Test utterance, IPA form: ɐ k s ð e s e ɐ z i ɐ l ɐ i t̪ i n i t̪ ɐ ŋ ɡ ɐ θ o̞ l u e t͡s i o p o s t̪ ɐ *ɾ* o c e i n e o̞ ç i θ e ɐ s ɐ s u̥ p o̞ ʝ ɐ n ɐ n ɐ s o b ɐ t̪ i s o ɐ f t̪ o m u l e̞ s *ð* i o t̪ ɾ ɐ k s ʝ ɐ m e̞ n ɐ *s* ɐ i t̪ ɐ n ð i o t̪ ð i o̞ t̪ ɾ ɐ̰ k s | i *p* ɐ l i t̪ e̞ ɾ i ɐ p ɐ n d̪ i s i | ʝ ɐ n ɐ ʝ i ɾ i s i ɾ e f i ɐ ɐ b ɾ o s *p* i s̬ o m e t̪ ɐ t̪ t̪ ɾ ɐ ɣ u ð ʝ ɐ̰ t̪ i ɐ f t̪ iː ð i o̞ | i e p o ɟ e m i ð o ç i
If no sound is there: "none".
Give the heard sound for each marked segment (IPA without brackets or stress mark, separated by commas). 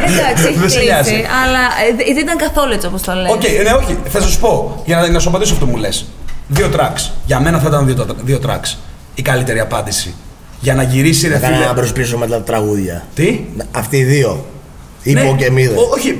l, ð, θ, k, p